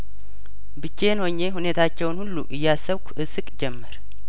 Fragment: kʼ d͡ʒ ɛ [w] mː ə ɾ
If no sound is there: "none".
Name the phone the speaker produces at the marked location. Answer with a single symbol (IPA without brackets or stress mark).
none